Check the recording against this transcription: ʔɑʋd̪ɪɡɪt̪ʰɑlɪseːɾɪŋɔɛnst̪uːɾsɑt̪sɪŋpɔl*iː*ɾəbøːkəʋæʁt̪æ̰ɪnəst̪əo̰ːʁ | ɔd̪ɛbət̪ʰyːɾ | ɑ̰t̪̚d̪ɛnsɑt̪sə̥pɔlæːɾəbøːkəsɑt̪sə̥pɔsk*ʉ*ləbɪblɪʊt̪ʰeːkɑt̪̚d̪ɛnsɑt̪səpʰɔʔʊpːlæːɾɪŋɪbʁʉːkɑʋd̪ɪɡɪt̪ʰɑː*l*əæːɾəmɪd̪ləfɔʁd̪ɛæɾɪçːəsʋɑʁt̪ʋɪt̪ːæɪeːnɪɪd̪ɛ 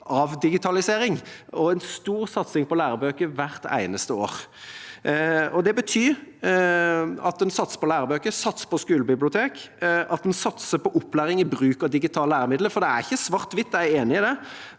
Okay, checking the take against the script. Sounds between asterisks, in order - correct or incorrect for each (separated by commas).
incorrect, incorrect, correct